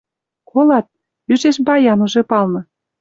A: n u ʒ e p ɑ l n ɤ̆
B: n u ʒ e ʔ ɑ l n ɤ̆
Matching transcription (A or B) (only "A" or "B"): A